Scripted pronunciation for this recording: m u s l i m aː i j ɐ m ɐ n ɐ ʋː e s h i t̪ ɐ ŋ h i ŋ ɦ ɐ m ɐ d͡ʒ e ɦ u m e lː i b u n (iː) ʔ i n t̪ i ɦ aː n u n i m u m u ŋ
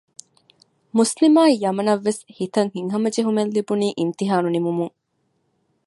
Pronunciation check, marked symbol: correct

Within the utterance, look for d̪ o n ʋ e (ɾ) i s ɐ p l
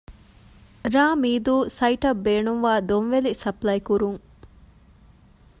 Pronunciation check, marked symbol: incorrect: l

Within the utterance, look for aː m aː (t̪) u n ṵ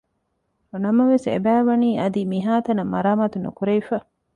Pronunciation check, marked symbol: correct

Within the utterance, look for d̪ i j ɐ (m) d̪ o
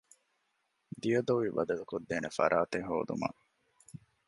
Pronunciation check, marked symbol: incorrect: none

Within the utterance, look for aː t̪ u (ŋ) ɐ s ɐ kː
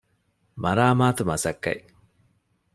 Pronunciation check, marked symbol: incorrect: m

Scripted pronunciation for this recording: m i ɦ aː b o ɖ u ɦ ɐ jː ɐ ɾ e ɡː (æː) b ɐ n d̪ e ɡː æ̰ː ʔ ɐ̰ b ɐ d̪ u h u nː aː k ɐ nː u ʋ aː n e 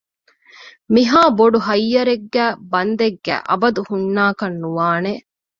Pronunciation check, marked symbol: correct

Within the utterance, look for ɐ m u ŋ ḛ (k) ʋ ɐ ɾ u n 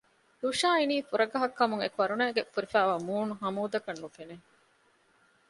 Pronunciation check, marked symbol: correct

